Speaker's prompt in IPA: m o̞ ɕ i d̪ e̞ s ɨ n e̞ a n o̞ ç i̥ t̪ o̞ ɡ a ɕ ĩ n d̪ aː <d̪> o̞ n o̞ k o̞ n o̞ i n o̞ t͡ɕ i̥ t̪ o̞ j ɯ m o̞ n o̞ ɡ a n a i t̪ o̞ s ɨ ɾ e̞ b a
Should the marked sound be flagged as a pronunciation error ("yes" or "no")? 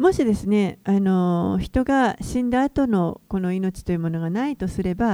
yes